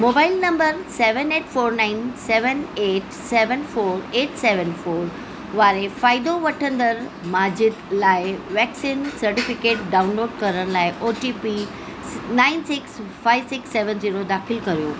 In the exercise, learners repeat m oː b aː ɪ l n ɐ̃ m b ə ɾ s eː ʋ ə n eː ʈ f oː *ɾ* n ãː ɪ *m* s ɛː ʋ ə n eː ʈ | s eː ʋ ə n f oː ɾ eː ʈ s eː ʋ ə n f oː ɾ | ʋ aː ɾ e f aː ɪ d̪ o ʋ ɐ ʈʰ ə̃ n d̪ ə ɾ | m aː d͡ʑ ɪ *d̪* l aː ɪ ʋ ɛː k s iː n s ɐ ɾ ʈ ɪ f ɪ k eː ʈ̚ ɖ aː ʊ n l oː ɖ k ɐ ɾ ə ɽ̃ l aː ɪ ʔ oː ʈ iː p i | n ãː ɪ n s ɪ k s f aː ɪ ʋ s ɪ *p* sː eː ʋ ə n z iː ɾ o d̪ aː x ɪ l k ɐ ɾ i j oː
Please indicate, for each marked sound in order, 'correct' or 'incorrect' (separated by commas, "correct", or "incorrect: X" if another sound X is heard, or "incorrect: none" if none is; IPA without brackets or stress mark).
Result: correct, incorrect: n, correct, incorrect: k